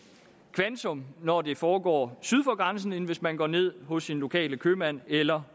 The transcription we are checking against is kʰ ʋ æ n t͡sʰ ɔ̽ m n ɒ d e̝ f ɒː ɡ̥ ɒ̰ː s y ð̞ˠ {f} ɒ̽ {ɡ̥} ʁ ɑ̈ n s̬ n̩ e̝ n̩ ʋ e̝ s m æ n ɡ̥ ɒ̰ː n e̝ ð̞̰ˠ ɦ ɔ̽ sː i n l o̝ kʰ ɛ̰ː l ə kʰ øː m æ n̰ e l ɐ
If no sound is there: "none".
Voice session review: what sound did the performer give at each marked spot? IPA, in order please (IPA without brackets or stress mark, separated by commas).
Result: f, ɡ̥